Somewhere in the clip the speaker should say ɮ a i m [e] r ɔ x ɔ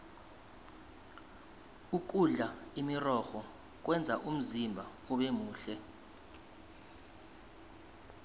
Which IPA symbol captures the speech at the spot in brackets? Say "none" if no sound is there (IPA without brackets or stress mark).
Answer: i